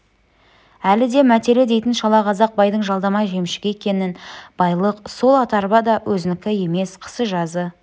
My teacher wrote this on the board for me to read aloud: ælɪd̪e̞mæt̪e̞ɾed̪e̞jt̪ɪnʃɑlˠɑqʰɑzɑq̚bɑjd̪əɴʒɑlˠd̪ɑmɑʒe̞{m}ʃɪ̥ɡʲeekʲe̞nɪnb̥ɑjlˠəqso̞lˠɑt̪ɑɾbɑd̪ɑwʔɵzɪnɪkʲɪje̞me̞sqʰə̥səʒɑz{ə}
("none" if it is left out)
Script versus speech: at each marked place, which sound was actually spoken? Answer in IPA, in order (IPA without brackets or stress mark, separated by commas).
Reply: m, ə